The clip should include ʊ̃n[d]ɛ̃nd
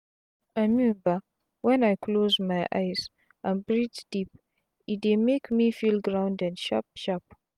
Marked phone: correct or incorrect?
correct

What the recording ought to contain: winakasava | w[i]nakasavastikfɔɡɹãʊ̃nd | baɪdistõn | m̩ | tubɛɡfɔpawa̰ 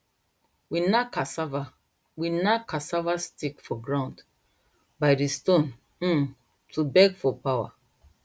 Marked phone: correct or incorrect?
correct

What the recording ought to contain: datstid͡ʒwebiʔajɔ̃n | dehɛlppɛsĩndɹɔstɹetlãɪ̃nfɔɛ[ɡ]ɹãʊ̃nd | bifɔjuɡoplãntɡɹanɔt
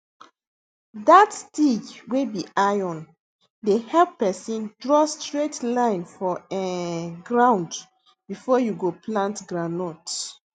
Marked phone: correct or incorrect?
correct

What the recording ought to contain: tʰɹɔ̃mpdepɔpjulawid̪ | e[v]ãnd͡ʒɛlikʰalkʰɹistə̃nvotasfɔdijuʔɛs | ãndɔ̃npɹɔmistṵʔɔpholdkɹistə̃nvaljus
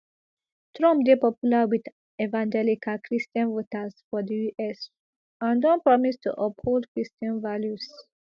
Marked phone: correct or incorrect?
correct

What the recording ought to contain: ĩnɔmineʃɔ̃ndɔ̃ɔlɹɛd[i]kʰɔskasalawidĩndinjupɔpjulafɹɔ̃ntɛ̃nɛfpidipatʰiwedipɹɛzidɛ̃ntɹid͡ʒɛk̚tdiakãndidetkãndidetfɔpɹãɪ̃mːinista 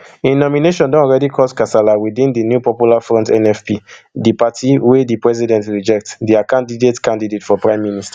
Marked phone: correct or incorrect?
correct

